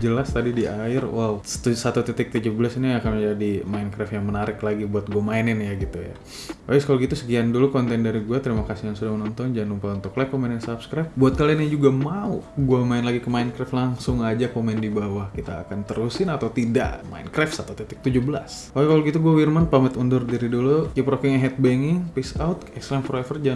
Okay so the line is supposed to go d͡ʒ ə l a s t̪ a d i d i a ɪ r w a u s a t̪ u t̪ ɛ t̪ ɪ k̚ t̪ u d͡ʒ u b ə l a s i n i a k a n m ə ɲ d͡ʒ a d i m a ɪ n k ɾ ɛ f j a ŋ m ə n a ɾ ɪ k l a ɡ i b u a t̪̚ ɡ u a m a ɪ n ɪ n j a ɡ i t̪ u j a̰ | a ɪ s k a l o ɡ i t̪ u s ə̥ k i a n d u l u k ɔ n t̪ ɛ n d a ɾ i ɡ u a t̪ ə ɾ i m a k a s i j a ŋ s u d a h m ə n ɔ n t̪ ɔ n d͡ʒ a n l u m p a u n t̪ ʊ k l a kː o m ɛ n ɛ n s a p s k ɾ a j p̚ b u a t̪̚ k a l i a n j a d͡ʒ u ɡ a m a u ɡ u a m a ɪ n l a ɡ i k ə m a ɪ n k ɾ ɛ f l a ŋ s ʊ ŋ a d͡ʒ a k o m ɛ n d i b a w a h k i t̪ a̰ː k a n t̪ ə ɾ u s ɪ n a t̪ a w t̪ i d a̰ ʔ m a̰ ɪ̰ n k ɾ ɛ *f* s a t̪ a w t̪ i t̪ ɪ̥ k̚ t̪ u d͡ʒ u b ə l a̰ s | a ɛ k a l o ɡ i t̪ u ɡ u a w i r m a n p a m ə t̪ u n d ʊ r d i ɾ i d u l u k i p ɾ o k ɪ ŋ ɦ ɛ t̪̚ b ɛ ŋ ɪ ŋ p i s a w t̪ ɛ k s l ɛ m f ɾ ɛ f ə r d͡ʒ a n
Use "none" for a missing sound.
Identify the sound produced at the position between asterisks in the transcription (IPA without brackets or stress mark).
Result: f